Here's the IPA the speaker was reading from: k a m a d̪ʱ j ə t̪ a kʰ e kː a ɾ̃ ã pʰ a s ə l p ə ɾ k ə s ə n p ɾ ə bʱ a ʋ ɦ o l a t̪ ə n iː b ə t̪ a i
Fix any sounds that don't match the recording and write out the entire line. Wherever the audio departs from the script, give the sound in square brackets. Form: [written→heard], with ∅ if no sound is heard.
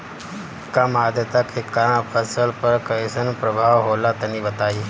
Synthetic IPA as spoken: k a m a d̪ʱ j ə t̪ a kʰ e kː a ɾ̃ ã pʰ [a→ə] s ə l p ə ɾ k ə s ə n p ɾ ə bʱ a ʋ ɦ o l a t̪ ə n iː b ə t̪ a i